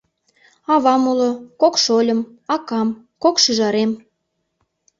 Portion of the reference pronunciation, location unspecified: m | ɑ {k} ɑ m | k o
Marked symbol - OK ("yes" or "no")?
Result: yes